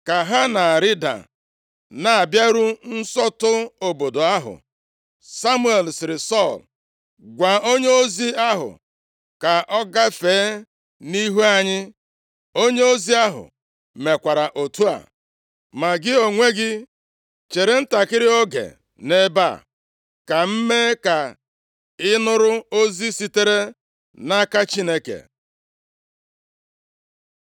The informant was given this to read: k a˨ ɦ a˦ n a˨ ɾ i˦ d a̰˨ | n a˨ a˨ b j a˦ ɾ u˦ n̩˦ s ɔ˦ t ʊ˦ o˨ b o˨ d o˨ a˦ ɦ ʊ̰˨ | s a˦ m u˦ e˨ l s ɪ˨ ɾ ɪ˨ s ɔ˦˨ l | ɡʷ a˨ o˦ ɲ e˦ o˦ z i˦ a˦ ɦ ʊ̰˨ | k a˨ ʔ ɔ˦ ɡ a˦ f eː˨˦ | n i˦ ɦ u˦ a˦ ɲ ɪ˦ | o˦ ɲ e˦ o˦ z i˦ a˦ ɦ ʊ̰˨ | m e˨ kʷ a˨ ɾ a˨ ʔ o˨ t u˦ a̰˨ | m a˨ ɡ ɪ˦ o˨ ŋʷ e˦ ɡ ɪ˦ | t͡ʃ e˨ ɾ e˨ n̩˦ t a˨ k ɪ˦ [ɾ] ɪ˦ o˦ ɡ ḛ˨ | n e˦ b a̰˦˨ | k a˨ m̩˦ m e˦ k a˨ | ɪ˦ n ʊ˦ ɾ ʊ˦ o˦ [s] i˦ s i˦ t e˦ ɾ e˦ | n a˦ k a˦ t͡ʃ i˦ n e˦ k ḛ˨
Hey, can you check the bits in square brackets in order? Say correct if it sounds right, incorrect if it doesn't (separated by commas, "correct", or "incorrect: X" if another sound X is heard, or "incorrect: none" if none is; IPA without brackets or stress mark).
correct, incorrect: z